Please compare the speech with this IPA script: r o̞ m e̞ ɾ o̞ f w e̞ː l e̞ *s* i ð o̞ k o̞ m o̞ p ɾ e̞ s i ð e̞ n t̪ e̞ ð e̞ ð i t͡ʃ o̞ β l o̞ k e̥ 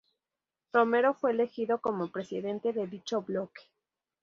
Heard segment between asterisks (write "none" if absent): x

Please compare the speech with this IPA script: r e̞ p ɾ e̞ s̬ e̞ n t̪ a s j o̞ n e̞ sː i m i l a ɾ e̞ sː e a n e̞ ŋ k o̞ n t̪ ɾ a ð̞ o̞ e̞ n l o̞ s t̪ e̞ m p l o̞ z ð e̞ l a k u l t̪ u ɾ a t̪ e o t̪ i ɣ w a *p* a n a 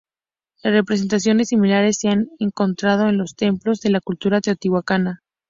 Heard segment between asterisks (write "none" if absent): k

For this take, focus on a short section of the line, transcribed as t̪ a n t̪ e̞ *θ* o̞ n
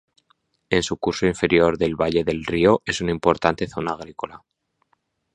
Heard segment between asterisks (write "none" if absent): θ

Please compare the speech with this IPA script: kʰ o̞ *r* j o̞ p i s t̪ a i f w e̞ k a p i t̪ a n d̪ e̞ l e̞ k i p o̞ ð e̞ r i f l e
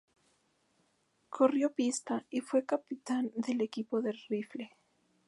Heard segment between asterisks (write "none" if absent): r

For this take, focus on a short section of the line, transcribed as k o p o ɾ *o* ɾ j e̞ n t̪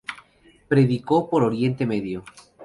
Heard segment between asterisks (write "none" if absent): o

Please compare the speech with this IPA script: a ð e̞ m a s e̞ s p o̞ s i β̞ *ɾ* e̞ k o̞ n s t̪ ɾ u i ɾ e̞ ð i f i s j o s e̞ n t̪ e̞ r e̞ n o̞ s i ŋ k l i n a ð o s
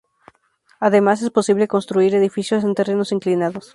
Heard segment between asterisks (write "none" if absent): l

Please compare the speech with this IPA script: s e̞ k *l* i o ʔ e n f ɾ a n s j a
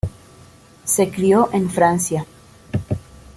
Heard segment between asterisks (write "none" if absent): ɾ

